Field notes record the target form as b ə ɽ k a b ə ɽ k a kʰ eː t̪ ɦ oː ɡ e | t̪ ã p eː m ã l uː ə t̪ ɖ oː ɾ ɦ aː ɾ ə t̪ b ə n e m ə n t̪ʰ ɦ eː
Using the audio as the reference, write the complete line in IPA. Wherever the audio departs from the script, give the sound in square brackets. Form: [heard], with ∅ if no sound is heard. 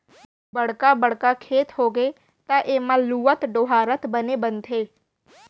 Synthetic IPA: b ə ɽ k a b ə ɽ k a kʰ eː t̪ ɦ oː ɡ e | t̪ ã [ʔ] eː m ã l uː ə t̪ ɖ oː [∅] ɦ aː ɾ ə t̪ b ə n e [b] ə n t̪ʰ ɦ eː